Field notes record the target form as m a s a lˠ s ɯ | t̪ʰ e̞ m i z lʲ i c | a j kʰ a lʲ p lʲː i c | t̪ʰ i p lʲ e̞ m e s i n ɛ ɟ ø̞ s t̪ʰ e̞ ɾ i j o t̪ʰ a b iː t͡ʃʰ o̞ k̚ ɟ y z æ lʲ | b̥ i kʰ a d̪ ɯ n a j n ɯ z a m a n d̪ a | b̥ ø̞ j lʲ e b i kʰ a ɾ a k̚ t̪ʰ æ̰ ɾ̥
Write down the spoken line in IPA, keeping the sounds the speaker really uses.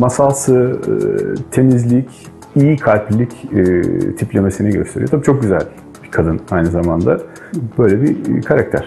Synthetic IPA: m a s a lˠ s ɯ | t̪ʰ e̞ m i z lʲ i c | i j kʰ a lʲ p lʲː i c | t̪ʰ i p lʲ e̞ m e s i n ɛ ɟ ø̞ s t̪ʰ e̞ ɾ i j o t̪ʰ a b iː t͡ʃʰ o̞ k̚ ɟ y z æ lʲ | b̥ i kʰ a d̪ ɯ n a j n ɯ z a m a n d̪ a | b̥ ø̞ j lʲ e b i kʰ a ɾ a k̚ t̪ʰ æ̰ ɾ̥